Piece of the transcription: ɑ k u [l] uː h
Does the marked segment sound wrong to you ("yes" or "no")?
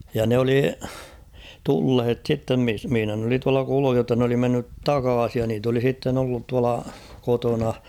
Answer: no